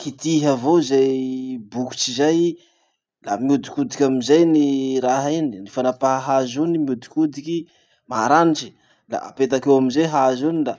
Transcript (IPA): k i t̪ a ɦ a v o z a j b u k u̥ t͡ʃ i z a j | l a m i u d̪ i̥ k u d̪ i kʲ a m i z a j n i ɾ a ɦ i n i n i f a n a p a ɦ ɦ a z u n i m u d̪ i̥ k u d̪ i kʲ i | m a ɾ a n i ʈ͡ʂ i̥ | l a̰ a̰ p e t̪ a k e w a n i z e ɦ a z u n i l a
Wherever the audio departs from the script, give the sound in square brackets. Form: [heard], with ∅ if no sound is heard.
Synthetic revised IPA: k i t̪ [i] ɦ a v o z a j b u k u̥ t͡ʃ i z a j | l a m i u d̪ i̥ k u d̪ i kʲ a m i z a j n i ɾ a ɦ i n i n i f a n a p a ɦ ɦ a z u n i m u d̪ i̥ k u d̪ i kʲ i | m a ɾ a n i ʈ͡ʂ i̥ | l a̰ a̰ p e t̪ a k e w a [m] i z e ɦ a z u n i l a